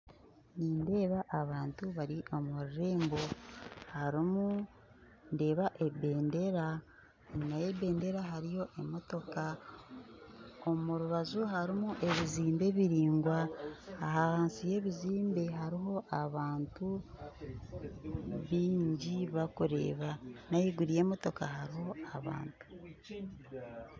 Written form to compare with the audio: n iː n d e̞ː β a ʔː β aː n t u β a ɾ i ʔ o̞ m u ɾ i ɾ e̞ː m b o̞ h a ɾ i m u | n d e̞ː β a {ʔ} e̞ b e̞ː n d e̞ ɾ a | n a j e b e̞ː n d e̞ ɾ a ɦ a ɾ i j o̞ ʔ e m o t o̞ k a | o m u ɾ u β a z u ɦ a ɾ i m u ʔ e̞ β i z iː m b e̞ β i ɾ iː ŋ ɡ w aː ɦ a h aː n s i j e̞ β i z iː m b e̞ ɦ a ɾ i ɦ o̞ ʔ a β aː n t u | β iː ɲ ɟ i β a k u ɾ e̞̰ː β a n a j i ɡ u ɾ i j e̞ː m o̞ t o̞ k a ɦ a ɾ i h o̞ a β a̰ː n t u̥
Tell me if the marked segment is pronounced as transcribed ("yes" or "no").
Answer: yes